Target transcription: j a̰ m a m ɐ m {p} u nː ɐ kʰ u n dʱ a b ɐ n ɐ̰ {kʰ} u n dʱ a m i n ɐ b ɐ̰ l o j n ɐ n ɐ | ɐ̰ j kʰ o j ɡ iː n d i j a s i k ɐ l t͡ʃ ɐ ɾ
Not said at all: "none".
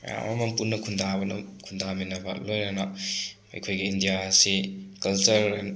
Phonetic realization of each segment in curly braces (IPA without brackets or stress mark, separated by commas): p, kʰ